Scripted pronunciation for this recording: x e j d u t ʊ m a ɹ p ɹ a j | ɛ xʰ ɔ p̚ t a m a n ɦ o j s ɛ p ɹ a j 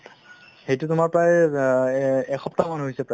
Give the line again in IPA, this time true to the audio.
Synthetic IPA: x e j t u t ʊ m a ɹ p ɹ a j | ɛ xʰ ɔ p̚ t a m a n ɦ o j s ɛ p ɹ a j